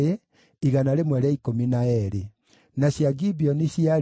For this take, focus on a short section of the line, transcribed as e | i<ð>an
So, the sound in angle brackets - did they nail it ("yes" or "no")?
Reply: no